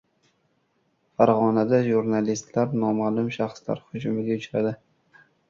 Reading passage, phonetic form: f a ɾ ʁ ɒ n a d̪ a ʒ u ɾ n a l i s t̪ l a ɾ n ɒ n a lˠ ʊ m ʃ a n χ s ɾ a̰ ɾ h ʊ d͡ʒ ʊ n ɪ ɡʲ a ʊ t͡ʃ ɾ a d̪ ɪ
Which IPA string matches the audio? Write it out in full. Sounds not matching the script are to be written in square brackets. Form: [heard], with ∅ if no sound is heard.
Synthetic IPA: f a ɾ ʁ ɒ n a d̪ a ʒ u ɾ n a l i s t̪ l a ɾ n ɒ [m] a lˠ ʊ m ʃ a [∅] χ s [l] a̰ ɾ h ʊ d͡ʒ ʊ [m] ɪ ɡʲ a ʊ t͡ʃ ɾ a d̪ ɪ

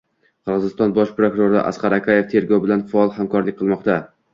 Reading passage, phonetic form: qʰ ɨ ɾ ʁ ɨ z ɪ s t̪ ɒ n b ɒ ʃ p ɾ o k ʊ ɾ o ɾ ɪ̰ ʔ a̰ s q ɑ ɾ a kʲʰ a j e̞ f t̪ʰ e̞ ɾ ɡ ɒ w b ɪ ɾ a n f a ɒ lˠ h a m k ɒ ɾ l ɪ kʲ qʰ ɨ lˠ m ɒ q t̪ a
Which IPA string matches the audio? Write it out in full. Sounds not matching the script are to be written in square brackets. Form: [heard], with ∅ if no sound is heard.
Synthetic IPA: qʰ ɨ ɾ ʁ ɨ z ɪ s t̪ ɒ n b ɒ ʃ p ɾ o k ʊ ɾ o ɾ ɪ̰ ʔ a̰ s q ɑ ɾ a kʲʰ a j e̞ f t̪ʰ e̞ ɾ ɡ ɒ w b ɪ [l] a n f a ɒ lˠ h a m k ɒ ɾ l ɪ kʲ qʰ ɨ lˠ m ɒ q t̪ a

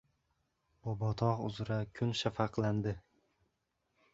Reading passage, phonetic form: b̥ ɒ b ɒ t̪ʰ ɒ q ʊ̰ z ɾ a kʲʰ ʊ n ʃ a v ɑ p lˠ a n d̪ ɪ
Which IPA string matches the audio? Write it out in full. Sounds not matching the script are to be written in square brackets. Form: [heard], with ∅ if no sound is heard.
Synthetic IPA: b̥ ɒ b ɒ t̪ʰ ɒ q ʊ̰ z ɾ a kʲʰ ʊ n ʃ a [f] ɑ [q] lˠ a n d̪ ɪ

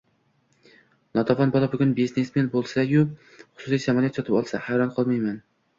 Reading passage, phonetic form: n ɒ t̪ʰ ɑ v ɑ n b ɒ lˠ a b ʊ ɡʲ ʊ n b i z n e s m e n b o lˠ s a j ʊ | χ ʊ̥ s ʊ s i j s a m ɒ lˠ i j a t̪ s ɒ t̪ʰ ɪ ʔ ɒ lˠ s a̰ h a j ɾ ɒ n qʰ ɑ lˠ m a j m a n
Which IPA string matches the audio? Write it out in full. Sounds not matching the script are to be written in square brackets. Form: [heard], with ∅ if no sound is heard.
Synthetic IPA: n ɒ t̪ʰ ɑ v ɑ n b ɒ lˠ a b ʊ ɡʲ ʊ n b i z n e s m e n b o lˠ s a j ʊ | χ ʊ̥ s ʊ s i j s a m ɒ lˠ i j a t̪ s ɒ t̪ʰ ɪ [p] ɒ lˠ s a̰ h a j ɾ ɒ n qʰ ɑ lˠ m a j m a n

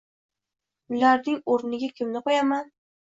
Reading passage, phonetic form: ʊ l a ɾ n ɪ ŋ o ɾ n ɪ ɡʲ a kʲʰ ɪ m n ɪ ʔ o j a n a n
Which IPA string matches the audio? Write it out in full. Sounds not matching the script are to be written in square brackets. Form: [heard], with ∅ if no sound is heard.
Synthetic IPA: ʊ l a ɾ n ɪ ŋ o ɾ n ɪ ɡʲ a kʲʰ ɪ m n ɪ [q] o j a [m] a n

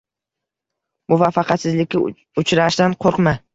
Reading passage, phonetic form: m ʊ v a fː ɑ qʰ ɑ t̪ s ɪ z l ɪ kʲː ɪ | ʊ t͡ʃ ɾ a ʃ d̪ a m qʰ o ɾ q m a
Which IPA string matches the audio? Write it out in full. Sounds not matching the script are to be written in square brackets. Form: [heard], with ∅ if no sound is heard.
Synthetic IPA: m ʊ v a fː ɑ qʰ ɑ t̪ s ɪ z l ɪ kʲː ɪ | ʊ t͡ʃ ɾ a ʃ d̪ a [n] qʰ o ɾ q m a

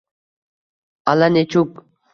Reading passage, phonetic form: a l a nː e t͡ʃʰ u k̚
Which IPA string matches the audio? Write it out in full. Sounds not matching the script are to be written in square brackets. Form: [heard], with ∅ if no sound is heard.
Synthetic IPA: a l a [n] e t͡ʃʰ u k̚

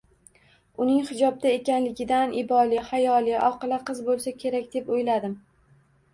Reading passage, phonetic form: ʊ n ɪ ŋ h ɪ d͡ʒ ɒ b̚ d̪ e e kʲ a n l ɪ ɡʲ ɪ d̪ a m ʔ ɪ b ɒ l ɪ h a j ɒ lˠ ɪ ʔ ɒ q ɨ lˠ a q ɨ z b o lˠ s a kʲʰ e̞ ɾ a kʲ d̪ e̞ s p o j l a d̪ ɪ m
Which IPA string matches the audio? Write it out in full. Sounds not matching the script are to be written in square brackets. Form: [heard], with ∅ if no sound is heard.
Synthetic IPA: ʊ n ɪ ŋ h ɪ d͡ʒ ɒ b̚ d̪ [a] e kʲ a n l ɪ ɡʲ ɪ d̪ a [n] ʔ ɪ b ɒ l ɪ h a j ɒ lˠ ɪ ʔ ɒ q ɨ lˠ a q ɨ z b o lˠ s a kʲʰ e̞ ɾ a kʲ d̪ e̞ [∅] p o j l a d̪ ɪ m

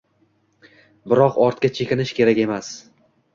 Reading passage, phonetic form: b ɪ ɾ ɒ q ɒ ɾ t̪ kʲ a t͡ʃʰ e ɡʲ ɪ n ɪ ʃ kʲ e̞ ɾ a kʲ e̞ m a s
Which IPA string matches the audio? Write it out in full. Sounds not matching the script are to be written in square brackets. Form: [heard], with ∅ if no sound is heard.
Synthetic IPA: b ɪ ɾ ɒ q ɒ ɾ t̪ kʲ a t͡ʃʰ e [kʲ] ɪ n ɪ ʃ kʲ e̞ ɾ a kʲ e̞ m a s

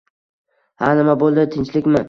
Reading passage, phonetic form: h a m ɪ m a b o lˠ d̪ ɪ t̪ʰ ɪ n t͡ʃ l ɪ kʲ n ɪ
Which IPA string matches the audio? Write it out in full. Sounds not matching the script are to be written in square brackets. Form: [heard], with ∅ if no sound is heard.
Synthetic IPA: h a [n] ɪ m a b o lˠ d̪ ɪ t̪ʰ ɪ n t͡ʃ l ɪ kʲ [m] ɪ

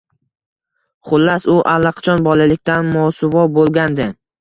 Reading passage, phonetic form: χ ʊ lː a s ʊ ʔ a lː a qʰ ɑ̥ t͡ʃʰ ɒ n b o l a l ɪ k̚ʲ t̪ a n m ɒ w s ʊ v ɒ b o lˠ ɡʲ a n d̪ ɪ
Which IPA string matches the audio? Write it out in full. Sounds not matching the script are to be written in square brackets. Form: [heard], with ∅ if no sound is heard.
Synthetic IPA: χ ʊ lː a s ʊ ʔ a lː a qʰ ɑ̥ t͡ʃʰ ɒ n b [ɒ] l a l ɪ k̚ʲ t̪ a n m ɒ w s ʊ v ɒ b o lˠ ɡʲ a n d̪ ɪ

